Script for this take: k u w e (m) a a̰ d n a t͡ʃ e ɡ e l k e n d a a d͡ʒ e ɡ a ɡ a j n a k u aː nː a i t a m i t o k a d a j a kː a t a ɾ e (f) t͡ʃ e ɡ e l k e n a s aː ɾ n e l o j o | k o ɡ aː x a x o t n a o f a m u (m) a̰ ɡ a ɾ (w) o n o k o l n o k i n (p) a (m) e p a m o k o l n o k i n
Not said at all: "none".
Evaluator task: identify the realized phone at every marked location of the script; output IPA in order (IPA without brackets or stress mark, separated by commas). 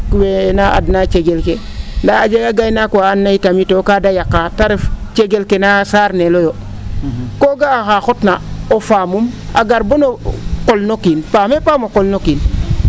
n, f, m, b, p, m